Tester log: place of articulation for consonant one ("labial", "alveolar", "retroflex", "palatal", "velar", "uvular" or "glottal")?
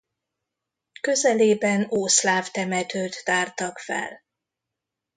velar